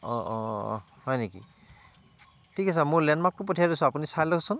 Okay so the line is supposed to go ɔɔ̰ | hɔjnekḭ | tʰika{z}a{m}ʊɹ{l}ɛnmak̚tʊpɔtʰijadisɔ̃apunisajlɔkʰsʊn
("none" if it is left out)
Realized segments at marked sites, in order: s, m, l

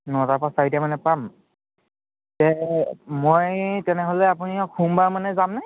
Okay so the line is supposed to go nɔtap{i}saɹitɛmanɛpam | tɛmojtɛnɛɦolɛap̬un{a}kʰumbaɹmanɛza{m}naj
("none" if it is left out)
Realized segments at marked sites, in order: a, i, m

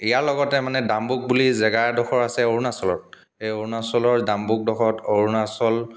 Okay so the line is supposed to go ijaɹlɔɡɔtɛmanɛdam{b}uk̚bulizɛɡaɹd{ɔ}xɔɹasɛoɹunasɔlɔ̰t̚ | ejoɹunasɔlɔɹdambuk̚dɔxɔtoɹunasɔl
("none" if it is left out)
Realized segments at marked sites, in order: b, ɔ

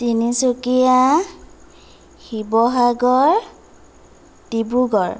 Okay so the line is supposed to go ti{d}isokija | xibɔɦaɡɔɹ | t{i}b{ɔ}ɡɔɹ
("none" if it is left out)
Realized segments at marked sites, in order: n, i, u

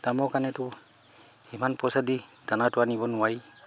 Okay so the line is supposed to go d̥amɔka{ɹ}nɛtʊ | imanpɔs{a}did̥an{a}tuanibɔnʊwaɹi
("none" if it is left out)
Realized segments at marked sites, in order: none, a, a

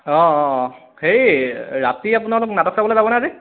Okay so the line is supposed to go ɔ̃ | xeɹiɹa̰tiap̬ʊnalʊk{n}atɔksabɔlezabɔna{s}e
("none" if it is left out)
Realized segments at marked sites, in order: n, z

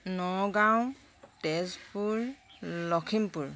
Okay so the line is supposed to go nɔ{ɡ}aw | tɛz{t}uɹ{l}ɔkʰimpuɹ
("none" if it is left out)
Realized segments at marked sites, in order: ɡ, p, l

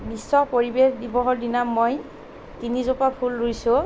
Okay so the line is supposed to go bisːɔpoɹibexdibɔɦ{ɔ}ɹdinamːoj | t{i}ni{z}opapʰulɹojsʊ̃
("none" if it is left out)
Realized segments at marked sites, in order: ɔ, i, z

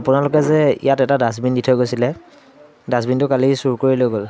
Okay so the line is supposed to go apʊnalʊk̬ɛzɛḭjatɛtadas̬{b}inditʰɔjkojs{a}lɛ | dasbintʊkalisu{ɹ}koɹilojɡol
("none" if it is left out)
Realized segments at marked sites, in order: b, i, ɹ

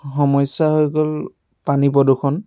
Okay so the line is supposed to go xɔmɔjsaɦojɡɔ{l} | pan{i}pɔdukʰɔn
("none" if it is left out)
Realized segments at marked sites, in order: l, i

